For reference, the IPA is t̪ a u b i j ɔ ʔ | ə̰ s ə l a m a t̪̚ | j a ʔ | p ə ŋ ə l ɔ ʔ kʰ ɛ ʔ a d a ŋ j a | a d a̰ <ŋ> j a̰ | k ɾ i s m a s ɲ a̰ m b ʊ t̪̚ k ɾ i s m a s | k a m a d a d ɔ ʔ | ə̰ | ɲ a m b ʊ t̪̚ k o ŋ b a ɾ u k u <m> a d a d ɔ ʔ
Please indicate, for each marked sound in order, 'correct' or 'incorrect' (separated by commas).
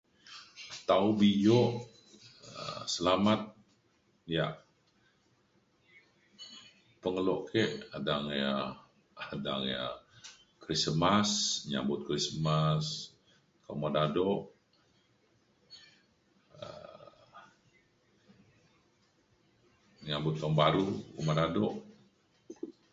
correct, correct